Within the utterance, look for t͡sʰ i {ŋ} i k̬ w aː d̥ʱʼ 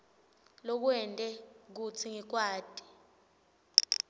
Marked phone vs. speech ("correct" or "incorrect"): correct